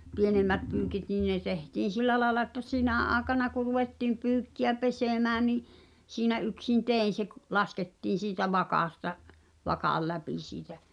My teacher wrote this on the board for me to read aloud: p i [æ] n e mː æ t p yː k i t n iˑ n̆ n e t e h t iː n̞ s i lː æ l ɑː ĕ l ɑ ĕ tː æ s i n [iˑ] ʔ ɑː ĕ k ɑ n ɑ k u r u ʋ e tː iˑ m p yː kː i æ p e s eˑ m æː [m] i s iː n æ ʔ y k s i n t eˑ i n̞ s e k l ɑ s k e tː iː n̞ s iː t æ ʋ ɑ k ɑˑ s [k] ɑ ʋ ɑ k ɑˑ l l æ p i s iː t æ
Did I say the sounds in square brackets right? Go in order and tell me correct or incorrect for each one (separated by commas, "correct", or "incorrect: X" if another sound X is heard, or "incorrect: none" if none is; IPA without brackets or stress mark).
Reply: incorrect: e, incorrect: æˑ, incorrect: n, incorrect: t